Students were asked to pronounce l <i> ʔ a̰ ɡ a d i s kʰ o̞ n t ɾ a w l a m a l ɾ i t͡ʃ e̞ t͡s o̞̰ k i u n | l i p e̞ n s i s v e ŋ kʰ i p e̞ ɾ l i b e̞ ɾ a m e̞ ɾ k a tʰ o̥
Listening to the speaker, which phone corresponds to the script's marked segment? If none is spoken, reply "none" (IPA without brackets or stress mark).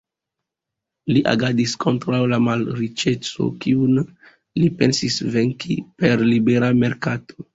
i